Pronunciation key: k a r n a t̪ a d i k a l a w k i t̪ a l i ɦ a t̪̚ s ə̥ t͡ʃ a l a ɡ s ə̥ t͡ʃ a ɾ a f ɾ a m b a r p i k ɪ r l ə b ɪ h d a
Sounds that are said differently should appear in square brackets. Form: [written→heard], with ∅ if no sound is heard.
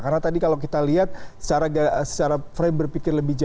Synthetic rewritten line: k a r n a t̪ a d i k a l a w k i t̪ a l i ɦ a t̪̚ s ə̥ t͡ʃ a [l→ɾ] a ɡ s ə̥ t͡ʃ a ɾ a f ɾ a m b [a→ə] r p i k ɪ r l ə b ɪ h [d→d͡ʒ] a